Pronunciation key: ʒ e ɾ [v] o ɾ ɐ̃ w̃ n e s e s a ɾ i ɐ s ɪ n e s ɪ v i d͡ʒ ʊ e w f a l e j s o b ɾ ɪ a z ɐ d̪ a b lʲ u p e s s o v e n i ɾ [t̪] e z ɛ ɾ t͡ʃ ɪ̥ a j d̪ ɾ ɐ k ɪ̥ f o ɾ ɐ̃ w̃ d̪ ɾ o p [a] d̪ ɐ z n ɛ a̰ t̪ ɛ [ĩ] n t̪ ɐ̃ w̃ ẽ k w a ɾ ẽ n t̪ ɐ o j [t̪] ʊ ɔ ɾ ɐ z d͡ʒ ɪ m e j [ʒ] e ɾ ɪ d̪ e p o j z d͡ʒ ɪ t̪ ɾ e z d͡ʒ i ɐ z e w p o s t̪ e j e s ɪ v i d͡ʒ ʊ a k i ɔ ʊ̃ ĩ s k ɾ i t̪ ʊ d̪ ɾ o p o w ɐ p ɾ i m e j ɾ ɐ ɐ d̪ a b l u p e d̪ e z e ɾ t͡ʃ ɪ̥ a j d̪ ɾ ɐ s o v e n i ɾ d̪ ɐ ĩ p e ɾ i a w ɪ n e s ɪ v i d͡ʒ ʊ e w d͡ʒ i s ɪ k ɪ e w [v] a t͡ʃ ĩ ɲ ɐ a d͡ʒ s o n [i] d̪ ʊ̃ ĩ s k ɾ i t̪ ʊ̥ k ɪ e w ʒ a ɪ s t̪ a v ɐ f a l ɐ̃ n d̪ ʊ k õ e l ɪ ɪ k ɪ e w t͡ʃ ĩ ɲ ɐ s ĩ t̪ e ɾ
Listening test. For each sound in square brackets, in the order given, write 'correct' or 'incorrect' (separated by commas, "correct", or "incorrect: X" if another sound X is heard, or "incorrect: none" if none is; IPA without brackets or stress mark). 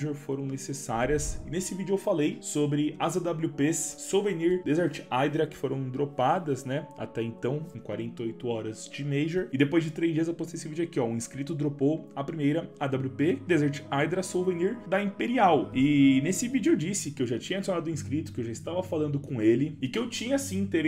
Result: incorrect: f, incorrect: d̪, correct, incorrect: ẽ, correct, correct, incorrect: ʒ, incorrect: a